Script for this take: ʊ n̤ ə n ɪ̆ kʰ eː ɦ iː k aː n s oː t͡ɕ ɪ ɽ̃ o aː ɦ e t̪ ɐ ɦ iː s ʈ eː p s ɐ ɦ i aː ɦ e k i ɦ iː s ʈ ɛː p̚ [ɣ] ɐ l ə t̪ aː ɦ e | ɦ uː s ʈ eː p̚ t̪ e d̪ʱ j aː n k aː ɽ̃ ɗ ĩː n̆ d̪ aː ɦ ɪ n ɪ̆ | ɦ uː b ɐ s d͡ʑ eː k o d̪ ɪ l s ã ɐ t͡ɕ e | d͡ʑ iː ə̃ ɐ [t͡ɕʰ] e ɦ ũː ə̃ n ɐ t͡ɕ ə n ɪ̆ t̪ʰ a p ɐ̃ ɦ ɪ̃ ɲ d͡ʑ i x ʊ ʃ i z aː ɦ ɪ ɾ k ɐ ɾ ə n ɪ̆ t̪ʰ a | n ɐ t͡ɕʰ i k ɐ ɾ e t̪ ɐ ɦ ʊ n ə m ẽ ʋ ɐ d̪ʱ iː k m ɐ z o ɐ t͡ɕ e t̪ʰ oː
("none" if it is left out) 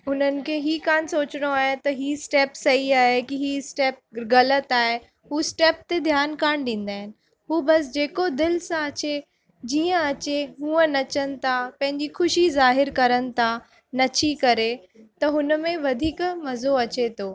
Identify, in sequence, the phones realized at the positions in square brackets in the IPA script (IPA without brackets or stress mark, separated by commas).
ɣ, t͡ɕ